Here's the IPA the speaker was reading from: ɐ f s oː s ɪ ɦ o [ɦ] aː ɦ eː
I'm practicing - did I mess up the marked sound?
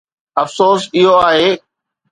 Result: yes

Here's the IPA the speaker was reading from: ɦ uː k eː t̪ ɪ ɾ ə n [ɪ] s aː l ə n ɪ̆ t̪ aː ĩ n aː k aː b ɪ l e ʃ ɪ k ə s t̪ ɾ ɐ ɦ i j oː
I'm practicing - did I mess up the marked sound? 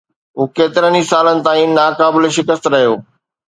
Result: yes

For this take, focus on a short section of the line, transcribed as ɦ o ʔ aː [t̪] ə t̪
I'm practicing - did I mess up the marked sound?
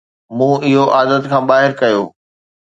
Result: yes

